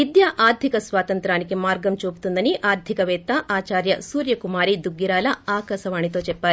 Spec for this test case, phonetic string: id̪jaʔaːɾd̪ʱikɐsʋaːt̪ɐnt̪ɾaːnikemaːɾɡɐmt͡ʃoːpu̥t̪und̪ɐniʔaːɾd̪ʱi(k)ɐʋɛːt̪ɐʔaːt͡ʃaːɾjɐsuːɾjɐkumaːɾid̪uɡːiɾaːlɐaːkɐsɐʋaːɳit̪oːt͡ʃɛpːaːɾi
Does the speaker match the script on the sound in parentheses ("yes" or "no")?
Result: yes